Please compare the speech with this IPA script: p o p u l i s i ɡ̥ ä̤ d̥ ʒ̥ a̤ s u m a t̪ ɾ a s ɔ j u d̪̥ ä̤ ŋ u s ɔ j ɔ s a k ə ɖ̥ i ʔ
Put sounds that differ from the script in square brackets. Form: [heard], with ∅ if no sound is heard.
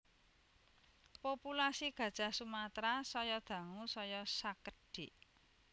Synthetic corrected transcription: p o p u l [a] s i ɡ̥ ä̤ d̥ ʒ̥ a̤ s u m a t̪ ɾ a s ɔ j [ɔ] d̪̥ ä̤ ŋ u s ɔ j ɔ s a k ə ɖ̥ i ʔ